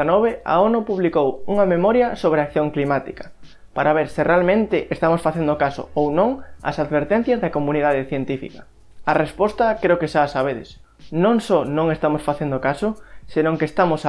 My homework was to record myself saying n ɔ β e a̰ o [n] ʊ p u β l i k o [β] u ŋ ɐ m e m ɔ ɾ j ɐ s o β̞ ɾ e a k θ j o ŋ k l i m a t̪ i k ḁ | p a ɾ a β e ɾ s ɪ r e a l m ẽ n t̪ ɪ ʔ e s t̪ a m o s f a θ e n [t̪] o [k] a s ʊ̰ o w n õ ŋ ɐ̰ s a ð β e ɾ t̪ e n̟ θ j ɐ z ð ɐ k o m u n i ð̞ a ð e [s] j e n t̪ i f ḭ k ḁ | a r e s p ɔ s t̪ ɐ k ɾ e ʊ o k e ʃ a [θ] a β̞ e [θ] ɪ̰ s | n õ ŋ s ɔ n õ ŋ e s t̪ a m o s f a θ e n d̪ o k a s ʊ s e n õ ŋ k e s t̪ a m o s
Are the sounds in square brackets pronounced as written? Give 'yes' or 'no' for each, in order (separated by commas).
yes, no, no, yes, no, no, no